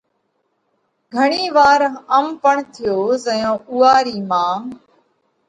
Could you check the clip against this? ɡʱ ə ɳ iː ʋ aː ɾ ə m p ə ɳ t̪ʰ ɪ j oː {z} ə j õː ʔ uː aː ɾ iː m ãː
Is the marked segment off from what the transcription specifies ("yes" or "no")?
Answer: no